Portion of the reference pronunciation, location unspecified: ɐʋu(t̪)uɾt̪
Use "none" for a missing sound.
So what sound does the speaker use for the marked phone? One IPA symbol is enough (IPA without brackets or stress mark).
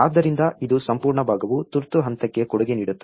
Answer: t̪